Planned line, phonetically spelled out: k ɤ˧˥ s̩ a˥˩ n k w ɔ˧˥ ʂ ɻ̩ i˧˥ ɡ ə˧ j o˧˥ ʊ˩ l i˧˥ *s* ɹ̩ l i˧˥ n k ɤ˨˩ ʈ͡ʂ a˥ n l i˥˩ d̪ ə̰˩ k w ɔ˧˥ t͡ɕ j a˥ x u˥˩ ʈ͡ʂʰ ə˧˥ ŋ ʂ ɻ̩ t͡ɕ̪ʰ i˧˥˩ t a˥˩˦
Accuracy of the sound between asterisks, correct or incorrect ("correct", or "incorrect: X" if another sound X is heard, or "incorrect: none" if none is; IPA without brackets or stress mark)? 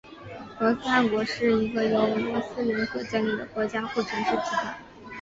correct